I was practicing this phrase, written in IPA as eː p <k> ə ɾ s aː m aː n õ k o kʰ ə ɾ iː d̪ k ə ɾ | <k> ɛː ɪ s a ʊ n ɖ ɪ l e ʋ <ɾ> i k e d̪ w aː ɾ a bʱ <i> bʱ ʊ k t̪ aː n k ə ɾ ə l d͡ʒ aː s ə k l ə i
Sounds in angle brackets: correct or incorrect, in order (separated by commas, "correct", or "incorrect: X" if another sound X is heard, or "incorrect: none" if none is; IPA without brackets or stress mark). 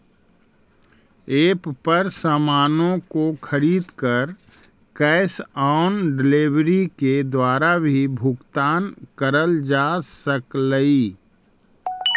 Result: incorrect: p, correct, correct, correct